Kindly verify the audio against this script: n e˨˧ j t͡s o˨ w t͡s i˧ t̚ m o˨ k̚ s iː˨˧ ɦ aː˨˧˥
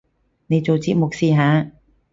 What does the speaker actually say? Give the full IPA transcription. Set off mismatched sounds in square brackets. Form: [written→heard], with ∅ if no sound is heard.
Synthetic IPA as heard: n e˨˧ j t͡s o˨ w t͡s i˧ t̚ m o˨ k̚ s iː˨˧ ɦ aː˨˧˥